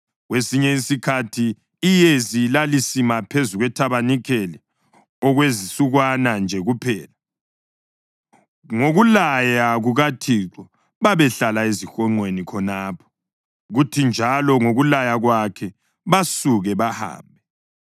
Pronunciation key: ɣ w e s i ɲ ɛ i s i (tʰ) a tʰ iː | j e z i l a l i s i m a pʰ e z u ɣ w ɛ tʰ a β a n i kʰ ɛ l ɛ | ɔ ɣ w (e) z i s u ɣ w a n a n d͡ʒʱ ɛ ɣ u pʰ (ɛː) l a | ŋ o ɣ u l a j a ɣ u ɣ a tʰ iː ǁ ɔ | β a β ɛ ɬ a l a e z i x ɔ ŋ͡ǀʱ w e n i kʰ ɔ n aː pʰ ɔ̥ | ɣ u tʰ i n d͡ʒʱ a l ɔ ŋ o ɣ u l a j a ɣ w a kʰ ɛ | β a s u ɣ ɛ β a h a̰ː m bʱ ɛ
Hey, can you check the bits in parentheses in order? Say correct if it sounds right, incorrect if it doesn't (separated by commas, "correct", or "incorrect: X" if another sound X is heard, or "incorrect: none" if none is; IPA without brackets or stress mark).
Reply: incorrect: kʰ, correct, correct